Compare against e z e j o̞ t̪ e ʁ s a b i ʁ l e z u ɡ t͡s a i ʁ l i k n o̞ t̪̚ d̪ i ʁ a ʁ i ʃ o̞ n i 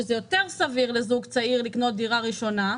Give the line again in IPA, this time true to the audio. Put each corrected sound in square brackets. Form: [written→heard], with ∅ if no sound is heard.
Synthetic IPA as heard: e z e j o̞ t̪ e ʁ s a [b→v] i ʁ l e z u ɡ t͡s a i ʁ l i k n o̞ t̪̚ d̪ i ʁ a ʁ i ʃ o̞ n [i→a]